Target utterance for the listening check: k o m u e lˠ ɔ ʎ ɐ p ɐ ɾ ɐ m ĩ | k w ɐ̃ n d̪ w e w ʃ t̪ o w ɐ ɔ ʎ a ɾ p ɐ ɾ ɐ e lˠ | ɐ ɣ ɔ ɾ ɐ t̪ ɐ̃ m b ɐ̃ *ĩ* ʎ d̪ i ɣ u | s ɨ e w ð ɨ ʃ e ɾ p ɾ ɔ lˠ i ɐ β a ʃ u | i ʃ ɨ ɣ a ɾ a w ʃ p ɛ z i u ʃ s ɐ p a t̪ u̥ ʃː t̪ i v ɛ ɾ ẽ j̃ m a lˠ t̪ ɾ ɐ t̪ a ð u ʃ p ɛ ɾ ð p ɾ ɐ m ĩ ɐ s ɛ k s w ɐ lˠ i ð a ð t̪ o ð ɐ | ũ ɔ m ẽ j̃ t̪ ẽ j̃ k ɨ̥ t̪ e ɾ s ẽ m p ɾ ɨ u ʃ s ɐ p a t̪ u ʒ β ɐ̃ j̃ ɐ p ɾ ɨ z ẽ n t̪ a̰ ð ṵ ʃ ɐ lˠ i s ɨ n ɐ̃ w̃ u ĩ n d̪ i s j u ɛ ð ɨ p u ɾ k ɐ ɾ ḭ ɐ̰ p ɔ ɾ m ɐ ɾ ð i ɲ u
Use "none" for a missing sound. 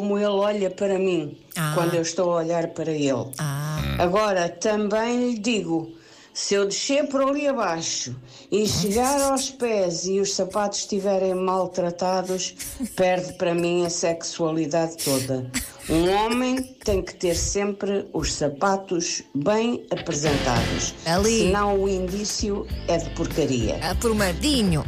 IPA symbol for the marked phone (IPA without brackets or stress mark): j̃